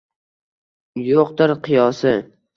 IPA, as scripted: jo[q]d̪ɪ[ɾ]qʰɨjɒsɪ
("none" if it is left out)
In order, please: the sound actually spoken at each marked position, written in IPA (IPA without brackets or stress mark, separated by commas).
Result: q, ɾ